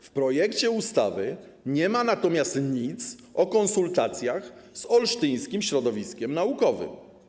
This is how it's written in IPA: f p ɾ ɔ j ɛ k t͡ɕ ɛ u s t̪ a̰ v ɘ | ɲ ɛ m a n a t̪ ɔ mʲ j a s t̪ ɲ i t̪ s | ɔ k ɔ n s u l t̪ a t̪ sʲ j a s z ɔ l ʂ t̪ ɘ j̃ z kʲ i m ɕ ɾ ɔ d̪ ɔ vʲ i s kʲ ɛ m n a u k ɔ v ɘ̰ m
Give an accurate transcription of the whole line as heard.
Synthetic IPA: f p ɾ ɔ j ɛ k t͡ɕ ɛ u s t̪ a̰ v ɘ | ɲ ɛ m a n a t̪ ɔ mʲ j a s t̪ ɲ i t̪ s | ɔ k ɔ n s u l t̪ a t̪ sʲ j a x z ɔ l ʂ t̪ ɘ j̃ s kʲ i m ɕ ɾ ɔ d̪ ɔ vʲ i s kʲ ɛ m n a u k ɔ v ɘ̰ m

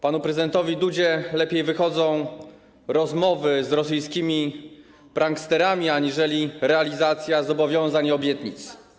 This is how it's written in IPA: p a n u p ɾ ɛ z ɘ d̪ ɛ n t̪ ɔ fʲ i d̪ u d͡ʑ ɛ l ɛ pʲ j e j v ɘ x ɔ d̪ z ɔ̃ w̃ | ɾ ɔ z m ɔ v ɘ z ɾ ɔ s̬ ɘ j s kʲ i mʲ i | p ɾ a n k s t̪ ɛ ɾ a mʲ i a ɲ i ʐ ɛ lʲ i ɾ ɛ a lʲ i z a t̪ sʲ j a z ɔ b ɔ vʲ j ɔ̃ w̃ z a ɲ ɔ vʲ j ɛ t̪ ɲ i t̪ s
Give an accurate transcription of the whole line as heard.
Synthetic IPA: p a n u p ɾ ɛ z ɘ d̪ ɛ n t̪ ɔ vʲ i d̪ u d͡ʑ ɛ l ɛ pʲ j e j v ɘ x ɔ d̪ z ɔ̃ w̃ | ɾ ɔ z m ɔ v ɘ z ɾ ɔ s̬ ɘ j s kʲ i mʲ i | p ɾ a ŋ k s t̪ ɛ ɾ a mʲ i a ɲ i ʐ ɛ lʲ i ɾ ɛ a lʲ i z a t̪ sʲ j a z ɔ b ɔ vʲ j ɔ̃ w̃ z a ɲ ɔ bʲ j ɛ t̪ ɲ i t̪ s

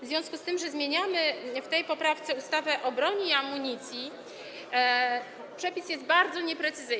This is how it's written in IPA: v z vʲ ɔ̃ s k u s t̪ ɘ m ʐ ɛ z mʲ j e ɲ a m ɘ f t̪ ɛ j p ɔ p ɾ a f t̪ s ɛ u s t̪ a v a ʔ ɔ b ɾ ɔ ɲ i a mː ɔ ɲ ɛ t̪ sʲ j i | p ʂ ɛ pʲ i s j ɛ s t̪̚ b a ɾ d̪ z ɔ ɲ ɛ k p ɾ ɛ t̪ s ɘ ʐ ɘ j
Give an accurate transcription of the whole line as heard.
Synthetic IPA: v z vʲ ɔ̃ s k u s t̪ ɘ m ʐ ɛ z mʲ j e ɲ a m ɘ f t̪ ɛ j p ɔ p ɾ a f t̪ s ɛ u s t̪ a v ɛ ʔ ɔ b ɾ ɔ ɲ i a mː u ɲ i t̪ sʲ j i | p ʂ ɛ pʲ i s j ɛ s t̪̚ b a ɾ d̪ z ɔ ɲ ɛ p ɾ ɛ t̪ s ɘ z ɘ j

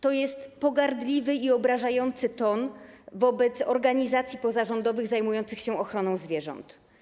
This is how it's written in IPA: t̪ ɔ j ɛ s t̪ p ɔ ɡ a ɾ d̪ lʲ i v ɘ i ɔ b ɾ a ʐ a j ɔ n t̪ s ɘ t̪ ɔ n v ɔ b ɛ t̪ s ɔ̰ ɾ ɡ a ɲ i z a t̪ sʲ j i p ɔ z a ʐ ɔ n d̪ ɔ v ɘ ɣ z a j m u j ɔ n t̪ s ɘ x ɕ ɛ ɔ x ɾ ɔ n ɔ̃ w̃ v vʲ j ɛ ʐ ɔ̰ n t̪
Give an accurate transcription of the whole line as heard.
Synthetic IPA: t̪ ɔ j ɛ s t̪ p ɔ ɡ a ɾ d̪ lʲ i v ɘ i ɔ b ɾ a ʐ a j ɔ n t̪ s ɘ t̪ ɔ n v ɔ b ɛ t̪ s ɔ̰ ɾ ɡ a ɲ i z a t̪ sʲ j i p ɔ z a ʐ ɔ n d̪ ɔ v ɘ ɣ z a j m u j ɔ n t̪ s ɘ x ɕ ɛ ɔ x ɾ ɔ n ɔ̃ w̃ z vʲ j ɛ ʐ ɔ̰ n t̪

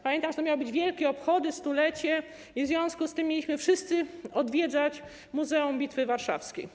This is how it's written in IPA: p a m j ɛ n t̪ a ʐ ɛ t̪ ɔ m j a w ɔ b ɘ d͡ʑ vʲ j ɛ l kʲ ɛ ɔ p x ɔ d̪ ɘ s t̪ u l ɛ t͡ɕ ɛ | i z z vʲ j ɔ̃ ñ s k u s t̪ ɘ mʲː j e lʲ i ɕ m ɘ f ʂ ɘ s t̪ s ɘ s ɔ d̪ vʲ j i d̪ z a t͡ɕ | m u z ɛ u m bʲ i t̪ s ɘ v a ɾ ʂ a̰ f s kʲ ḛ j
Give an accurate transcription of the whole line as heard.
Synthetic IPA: p a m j ɛ n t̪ a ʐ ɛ t̪ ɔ m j a w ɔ b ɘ d͡ʑ vʲ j ɛ l kʲ ɛ ɔ p x ɔ d̪ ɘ s t̪ u l ɛ t͡ɕ ɛ | i v z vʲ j ɔ̃ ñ s k u s t̪ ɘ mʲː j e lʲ i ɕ m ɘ f ʂ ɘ s t̪ s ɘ ɔ d̪ vʲ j ɛ d̪ z a t͡ɕ | m u z ɛ u m bʲ i t̪ f ɘ v a ɾ ʂ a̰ f s kʲ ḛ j

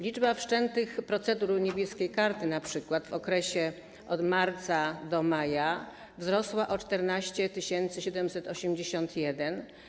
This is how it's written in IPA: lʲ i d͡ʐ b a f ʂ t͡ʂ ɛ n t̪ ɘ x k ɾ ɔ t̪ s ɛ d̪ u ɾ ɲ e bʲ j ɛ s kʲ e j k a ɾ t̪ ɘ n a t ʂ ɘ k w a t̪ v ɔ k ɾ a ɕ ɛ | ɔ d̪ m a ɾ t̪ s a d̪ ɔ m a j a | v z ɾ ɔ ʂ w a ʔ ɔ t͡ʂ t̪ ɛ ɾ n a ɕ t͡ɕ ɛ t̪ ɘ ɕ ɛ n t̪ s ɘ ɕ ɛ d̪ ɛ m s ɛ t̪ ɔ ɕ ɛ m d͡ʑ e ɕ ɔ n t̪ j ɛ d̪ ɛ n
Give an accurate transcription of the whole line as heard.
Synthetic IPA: lʲ i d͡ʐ b a f ʂ t͡ʂ ɛ n t̪ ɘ x p ɾ ɔ t̪ s ɛ d̪ u ɾ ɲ e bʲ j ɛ s kʲ e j k a ɾ t̪ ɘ n a p ʂ ɘ k w a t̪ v ɔ k ɾ ɛ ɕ ɛ | ɔ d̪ m a ɾ t̪ s a d̪ ɔ m a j a | v z ɾ ɔ s w a ʔ ɔ t͡ʂ t̪ ɛ ɾ n a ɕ t͡ɕ ɛ t̪ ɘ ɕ ɛ n t̪ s ɘ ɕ ɛ d̪ ɛ m s ɛ t̪ ɔ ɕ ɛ m d͡ʑ e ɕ ɔ n t̪ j ɛ d̪ ɛ n

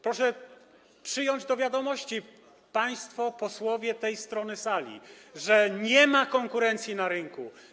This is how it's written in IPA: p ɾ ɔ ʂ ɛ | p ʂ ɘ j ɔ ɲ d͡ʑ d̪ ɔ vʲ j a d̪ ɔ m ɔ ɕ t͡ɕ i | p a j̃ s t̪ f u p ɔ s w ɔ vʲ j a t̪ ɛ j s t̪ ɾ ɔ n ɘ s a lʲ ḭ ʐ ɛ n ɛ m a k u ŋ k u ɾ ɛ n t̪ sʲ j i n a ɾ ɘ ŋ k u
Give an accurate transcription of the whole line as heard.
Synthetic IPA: p ɾ ɔ ʂ ɛ | p ʂ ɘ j ɔ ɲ d͡ʑ d̪ ɔ vʲ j a d̪ ɔ m ɔ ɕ t͡ɕ i | p a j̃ s t̪ f ɔ p ɔ s w ɔ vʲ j ɛ t̪ ɛ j s t̪ ɾ ɔ n ɘ s a lʲ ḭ ʐ ɛ ɲ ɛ m a k ɔ ŋ k u ɾ ɛ n t̪ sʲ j i n a ɾ ɘ ŋ k u

